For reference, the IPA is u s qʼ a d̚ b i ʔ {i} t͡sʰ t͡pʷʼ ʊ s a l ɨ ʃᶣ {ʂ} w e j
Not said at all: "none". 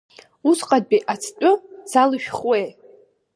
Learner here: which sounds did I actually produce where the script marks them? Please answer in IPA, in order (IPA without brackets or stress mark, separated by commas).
a, χ